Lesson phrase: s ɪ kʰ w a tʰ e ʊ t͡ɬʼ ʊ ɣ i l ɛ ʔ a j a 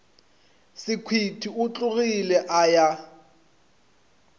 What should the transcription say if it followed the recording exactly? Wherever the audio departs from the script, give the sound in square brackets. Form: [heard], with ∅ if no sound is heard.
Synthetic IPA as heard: s ɪ kʰ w [i] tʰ [i] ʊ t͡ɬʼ ʊ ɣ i l ɛ ʔ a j a